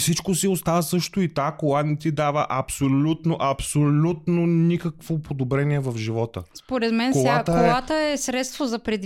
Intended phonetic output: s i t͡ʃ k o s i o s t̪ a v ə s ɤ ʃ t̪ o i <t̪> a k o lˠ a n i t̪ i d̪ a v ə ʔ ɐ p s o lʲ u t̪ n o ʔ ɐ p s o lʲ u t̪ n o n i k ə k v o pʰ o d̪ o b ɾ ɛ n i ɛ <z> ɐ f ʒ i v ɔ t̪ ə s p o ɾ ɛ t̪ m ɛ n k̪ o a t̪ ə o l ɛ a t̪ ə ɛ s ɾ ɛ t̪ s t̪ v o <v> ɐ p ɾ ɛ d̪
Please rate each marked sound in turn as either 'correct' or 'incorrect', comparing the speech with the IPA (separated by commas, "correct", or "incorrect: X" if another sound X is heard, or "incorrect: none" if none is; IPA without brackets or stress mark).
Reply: correct, incorrect: v, incorrect: z